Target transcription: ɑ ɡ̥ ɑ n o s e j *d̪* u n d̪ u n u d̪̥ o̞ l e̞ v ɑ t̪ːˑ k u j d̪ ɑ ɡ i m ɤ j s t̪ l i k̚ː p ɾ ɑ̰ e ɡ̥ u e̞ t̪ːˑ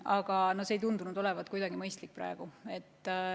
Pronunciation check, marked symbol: incorrect: t̪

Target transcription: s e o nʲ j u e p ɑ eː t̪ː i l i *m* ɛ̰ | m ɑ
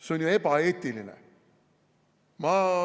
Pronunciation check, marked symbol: incorrect: n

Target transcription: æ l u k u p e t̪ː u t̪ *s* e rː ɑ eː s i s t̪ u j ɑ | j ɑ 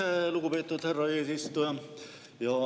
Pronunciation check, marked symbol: incorrect: h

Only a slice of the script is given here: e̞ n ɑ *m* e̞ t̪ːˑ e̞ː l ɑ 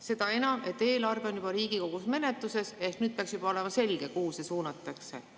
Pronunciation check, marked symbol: correct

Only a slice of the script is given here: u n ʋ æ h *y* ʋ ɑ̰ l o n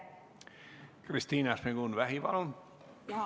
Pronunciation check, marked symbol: incorrect: i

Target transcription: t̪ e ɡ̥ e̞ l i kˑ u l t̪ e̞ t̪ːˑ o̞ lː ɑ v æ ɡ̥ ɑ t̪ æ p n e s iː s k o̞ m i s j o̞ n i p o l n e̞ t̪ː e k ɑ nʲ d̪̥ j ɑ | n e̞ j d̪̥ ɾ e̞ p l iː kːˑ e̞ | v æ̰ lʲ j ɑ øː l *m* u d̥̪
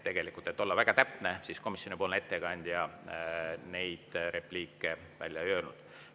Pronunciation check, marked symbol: incorrect: n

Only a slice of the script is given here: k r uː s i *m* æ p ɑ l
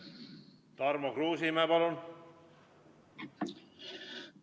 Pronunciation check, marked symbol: correct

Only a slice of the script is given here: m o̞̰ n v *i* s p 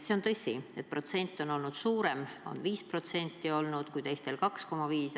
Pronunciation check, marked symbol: incorrect: iː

